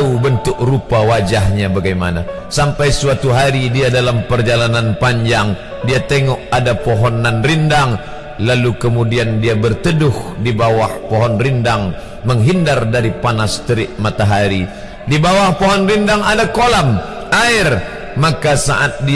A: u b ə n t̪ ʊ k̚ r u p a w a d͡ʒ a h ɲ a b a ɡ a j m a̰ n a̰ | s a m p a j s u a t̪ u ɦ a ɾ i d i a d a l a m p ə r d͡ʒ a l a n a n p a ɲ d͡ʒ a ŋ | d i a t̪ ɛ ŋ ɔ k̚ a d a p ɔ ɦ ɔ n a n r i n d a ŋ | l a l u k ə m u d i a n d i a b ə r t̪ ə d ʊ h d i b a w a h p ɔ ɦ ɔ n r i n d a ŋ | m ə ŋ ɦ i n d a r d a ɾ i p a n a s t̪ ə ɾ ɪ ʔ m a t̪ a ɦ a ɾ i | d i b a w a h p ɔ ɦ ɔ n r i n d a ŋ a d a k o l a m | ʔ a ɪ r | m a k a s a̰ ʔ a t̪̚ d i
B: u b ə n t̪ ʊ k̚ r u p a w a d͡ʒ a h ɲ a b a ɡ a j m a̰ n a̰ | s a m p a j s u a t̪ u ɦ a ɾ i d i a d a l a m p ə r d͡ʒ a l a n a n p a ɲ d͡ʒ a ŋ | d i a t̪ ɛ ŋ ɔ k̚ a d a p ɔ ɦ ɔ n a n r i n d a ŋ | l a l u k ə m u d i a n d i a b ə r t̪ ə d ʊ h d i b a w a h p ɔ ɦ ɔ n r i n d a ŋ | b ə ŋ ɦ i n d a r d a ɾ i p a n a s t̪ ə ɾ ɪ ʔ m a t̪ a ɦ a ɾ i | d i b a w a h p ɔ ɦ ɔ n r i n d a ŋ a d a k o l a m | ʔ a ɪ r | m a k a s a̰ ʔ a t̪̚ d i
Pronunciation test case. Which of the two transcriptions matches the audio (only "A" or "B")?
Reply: A